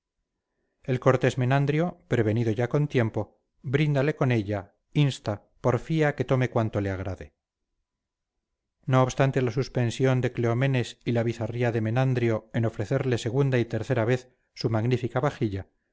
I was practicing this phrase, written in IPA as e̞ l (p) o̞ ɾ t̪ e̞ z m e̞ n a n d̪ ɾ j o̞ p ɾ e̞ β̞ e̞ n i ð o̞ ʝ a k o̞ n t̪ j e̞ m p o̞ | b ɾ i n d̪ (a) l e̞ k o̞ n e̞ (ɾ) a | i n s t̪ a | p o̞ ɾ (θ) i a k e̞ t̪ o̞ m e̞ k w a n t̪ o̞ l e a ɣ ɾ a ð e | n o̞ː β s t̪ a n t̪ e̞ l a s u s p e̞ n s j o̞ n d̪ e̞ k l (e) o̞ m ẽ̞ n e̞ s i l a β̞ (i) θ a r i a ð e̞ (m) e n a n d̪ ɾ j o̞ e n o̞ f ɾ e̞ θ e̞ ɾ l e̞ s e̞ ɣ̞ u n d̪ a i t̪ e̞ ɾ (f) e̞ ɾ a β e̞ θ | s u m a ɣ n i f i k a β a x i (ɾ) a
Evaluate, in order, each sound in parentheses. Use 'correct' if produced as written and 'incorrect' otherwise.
incorrect: k, correct, incorrect: ʎ, incorrect: f, correct, correct, correct, incorrect: θ, incorrect: ʎ

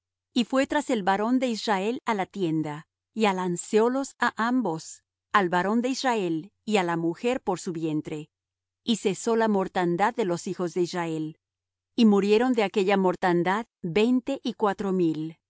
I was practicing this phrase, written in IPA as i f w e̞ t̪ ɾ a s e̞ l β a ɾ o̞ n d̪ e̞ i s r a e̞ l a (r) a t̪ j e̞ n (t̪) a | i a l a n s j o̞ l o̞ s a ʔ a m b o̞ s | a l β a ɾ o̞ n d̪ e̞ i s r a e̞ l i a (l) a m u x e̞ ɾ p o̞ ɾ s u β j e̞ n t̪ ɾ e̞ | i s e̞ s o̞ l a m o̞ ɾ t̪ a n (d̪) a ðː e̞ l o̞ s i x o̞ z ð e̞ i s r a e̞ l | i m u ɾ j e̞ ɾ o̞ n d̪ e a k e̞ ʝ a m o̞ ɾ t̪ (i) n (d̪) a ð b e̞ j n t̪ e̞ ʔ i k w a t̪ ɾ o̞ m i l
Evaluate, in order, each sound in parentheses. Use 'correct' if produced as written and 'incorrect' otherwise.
incorrect: l, incorrect: d̪, correct, correct, incorrect: a, correct

